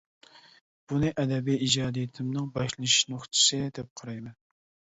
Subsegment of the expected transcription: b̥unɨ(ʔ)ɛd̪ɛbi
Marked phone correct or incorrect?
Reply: correct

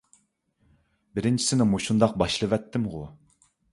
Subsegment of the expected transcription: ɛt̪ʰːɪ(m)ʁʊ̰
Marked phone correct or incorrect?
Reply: correct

